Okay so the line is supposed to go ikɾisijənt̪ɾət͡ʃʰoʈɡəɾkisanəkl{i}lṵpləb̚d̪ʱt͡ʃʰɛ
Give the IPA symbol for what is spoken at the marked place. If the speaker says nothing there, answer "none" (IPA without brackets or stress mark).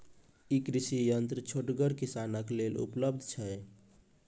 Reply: e